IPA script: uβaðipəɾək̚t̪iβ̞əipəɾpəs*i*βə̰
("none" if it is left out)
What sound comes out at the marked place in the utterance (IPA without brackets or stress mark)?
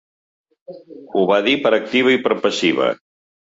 i